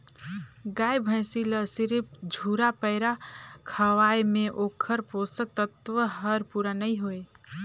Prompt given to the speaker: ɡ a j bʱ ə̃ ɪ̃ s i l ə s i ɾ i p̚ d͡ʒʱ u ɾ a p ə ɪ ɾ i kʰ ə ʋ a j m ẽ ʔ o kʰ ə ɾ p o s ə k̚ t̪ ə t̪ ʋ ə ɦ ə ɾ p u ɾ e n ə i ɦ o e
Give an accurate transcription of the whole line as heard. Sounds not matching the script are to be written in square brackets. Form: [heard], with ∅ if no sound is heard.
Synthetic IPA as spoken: ɡ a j bʱ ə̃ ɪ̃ s i l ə s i ɾ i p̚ d͡ʒʱ u ɾ a p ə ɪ ɾ [a] kʰ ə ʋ a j m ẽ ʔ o kʰ ə ɾ p o s ə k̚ t̪ ə t̪ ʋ ə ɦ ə ɾ p u ɾ [a] n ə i ɦ o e